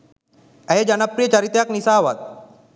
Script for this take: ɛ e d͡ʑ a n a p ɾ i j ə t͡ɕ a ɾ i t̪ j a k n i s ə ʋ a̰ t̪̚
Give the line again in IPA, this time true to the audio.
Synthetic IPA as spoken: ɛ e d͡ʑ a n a p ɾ i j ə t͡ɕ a ɾ i t̪ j a k n i s a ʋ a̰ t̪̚